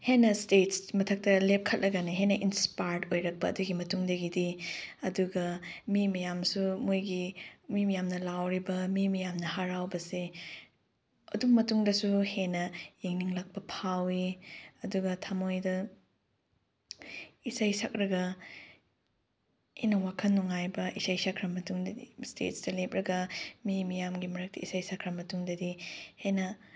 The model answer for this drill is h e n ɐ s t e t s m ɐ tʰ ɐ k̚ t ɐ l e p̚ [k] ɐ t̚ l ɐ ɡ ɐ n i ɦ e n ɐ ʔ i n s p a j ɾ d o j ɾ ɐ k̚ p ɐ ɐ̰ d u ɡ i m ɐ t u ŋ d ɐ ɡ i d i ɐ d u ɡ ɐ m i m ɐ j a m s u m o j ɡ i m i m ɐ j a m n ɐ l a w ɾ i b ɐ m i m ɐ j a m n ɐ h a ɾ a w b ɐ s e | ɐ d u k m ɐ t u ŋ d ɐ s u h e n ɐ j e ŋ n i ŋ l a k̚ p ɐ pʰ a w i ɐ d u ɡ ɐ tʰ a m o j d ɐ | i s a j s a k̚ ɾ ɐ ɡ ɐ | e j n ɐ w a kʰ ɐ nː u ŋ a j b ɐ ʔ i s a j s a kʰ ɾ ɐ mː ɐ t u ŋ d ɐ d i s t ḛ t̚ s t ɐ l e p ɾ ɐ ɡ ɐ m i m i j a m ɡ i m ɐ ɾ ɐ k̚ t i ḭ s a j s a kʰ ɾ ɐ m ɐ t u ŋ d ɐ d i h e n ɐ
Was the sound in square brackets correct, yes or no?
no